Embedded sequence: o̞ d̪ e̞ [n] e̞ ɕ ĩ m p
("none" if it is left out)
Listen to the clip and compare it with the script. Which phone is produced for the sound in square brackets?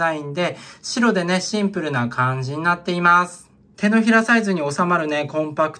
n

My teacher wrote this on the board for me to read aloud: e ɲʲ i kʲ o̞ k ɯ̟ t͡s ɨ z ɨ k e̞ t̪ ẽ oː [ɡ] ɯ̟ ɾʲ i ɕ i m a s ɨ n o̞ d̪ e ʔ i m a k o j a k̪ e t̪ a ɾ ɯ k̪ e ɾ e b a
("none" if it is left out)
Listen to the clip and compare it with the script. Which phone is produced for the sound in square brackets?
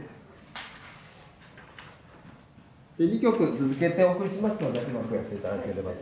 k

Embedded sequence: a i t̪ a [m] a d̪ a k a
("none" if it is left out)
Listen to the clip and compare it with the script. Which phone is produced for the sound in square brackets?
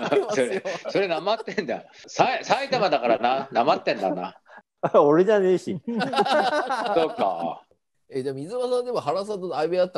m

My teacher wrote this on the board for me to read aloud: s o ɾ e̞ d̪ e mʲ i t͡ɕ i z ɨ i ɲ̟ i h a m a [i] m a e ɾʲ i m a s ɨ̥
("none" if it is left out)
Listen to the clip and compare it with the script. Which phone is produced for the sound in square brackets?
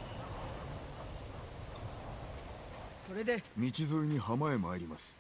e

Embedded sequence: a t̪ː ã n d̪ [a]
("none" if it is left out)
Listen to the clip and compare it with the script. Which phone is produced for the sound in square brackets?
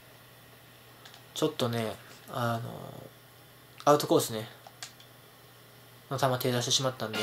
e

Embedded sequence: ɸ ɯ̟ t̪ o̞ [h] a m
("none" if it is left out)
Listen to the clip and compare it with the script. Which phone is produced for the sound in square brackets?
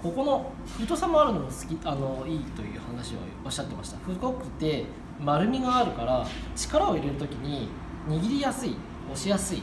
s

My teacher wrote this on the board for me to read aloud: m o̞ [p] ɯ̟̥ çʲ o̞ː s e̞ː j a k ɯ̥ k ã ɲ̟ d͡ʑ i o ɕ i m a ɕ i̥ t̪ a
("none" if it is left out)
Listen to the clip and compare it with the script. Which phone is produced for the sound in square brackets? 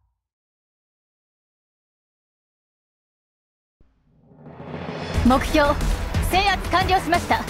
k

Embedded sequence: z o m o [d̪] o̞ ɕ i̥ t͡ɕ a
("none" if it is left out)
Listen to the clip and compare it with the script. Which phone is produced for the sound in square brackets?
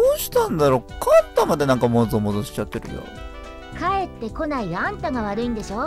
d̪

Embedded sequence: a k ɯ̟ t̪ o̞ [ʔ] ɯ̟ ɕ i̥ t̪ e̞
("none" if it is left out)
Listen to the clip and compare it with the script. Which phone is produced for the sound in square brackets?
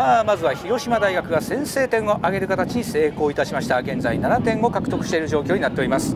k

